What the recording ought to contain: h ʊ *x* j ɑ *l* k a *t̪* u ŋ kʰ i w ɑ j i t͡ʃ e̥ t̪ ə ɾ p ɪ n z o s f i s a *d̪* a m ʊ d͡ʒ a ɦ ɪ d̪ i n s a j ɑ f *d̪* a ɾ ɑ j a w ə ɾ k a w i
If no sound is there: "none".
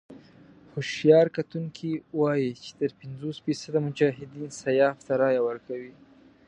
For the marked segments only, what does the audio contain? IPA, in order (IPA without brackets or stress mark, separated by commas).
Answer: ʃ, ɾ, t̪, d̪, t̪